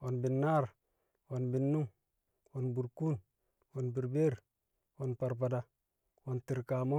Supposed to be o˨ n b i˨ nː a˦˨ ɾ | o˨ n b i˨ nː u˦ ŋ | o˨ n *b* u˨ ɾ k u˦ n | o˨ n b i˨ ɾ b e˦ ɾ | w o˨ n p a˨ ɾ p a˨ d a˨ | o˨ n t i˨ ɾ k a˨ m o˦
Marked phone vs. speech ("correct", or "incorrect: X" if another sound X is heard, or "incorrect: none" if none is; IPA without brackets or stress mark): correct